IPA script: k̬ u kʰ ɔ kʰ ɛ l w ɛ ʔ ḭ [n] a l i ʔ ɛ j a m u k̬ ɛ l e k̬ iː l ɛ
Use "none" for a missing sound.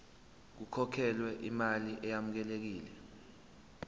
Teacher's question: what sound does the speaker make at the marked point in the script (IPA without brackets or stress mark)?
m